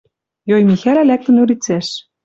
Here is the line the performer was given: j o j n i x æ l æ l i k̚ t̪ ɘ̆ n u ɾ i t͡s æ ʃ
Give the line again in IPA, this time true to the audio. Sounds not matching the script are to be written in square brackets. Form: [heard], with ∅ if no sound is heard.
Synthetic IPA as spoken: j o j [m] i x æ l æ l [æ] k̚ t̪ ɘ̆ n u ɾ i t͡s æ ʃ